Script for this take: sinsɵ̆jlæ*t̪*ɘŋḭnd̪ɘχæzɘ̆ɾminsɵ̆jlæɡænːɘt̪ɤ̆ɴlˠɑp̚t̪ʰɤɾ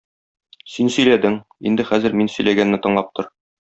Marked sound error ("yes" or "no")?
yes